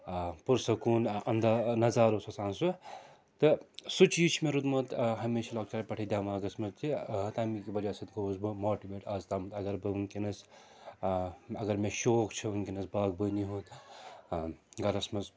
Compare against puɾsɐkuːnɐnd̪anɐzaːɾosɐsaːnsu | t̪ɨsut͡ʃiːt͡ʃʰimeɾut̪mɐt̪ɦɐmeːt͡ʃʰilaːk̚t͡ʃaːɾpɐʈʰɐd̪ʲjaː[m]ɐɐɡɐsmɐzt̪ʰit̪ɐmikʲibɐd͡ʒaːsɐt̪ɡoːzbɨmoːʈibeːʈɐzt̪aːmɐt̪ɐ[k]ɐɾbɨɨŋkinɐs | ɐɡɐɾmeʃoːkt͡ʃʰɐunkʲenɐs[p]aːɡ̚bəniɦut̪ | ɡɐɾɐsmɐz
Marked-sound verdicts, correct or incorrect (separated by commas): correct, incorrect, incorrect